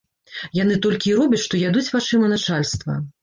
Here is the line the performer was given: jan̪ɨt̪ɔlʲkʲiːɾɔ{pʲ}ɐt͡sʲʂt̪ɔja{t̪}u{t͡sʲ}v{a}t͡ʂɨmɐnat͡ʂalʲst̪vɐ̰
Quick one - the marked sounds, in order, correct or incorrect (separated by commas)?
incorrect, incorrect, correct, correct